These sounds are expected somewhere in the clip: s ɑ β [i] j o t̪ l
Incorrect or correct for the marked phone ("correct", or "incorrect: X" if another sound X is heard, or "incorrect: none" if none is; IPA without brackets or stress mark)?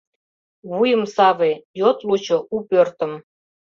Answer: incorrect: e